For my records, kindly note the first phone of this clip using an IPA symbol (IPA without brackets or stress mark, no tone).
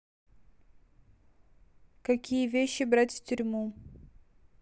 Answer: k